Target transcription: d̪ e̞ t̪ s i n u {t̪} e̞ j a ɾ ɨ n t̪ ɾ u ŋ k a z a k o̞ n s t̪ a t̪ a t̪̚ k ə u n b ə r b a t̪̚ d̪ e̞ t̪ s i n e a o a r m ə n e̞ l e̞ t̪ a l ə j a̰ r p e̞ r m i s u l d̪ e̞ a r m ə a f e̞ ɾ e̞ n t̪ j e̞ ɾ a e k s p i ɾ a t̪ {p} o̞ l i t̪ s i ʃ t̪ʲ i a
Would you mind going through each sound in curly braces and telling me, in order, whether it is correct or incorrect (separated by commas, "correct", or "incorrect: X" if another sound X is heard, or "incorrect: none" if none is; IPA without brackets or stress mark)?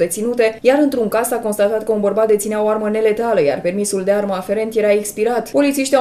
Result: correct, correct